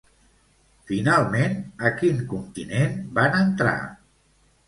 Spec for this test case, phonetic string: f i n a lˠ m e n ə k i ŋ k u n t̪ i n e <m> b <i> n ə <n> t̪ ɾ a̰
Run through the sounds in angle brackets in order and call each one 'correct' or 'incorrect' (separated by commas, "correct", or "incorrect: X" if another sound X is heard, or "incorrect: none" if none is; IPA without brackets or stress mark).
incorrect: n, incorrect: a, correct